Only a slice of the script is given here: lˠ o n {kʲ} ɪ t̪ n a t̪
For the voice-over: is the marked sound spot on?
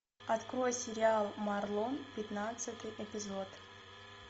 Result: no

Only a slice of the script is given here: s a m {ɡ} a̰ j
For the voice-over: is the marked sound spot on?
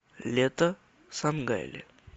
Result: yes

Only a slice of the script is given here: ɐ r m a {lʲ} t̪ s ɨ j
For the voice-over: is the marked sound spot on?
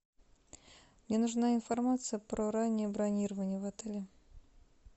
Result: no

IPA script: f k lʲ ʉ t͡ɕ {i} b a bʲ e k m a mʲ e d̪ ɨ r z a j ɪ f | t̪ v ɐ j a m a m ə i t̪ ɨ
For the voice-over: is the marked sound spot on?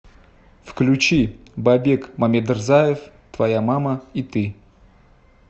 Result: yes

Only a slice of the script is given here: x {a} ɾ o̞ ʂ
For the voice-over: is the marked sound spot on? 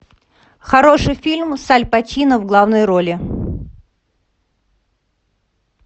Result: no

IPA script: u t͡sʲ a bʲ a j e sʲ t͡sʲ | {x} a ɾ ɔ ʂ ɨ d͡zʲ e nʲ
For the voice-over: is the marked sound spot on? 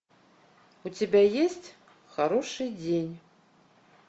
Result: yes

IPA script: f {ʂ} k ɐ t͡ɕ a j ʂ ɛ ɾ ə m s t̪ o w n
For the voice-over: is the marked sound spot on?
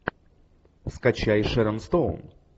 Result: no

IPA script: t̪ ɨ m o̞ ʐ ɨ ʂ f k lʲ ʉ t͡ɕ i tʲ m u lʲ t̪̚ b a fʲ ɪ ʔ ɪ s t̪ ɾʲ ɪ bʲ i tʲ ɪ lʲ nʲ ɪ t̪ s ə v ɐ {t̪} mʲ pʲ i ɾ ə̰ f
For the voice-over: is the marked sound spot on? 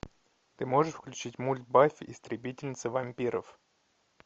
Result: no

